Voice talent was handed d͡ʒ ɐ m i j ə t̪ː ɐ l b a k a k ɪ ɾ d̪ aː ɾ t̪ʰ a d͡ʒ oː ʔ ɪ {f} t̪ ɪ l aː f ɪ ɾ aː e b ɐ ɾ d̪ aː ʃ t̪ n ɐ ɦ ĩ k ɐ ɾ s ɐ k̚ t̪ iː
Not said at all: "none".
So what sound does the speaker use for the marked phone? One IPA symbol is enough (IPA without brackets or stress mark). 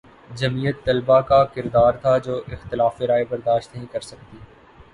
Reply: x